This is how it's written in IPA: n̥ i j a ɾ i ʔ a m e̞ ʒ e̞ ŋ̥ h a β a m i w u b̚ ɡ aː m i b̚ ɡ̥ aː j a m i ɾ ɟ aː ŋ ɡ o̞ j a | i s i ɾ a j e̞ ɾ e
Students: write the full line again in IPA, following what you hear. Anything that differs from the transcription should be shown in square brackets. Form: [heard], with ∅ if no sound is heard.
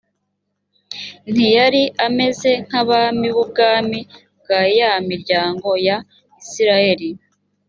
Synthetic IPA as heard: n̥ i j a ɾ i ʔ a m e̞ [z] e̞ ŋ̥ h a β a m i [β] u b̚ ɡ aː m i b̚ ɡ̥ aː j a m i ɾ ɟ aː ŋ ɡ o̞ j a | i s i ɾ a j e̞ ɾ [i]